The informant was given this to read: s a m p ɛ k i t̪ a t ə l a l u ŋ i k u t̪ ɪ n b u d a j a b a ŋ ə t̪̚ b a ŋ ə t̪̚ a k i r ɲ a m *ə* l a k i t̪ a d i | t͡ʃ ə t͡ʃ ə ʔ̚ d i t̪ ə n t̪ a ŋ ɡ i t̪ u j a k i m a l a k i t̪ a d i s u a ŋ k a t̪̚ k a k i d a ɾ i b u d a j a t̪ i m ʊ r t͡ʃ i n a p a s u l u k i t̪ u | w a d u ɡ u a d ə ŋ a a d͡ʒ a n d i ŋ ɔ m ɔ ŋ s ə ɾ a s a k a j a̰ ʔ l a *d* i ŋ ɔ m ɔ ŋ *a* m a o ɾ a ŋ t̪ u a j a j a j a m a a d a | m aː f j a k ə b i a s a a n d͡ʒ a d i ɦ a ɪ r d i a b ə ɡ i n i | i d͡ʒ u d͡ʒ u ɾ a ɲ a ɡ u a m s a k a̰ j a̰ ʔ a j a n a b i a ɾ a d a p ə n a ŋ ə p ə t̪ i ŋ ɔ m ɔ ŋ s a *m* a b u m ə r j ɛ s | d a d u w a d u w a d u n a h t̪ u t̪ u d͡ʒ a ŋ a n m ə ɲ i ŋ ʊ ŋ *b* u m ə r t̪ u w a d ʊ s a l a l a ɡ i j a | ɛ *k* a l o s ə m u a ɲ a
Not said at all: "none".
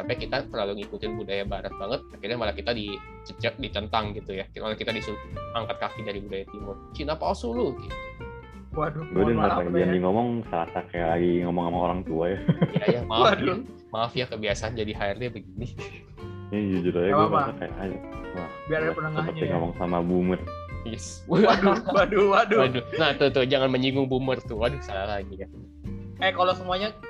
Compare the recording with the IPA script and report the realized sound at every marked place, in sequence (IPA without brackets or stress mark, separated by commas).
a, ɡ, a, m, b, k